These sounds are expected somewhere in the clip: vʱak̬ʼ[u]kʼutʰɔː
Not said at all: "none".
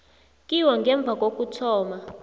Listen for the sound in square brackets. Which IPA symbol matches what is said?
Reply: o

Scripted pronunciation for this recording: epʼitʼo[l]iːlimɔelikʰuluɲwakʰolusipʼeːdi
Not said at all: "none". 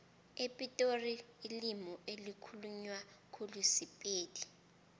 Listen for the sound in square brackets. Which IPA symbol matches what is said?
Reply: r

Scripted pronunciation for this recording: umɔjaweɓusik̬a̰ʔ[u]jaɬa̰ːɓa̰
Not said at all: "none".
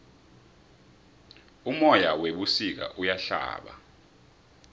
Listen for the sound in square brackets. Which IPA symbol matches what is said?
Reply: u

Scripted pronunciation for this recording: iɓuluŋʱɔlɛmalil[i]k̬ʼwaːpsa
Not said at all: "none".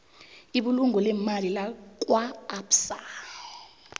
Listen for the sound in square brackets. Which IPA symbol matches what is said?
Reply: a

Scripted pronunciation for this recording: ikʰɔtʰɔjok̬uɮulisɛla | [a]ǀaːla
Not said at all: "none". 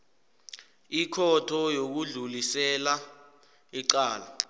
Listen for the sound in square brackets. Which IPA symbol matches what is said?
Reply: i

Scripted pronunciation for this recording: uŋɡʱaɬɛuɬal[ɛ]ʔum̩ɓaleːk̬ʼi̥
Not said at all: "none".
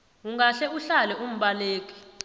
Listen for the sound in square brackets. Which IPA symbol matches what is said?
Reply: ɛ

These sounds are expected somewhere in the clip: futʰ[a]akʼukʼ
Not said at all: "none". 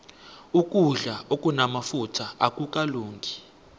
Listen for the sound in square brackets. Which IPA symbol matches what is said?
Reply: a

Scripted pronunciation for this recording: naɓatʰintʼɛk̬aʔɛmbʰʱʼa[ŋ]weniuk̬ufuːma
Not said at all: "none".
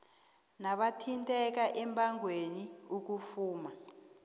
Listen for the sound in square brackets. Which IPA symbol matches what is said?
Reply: ŋ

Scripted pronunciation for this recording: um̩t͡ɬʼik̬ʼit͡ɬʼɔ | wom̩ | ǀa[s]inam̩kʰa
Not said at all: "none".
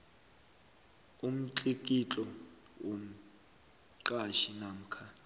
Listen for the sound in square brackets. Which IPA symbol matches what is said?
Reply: ʃ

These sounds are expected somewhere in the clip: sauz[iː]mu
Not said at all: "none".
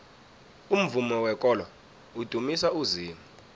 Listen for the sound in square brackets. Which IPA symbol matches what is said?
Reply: iː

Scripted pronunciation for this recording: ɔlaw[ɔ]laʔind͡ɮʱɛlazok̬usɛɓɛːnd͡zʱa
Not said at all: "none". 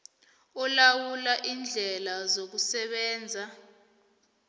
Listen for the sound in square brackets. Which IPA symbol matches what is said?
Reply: u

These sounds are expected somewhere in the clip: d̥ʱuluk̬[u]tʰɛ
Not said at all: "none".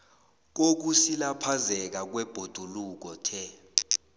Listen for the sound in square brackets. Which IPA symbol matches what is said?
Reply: ɔ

